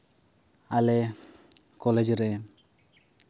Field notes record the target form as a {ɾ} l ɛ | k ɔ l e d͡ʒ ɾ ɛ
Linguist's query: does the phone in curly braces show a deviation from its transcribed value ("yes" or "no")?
yes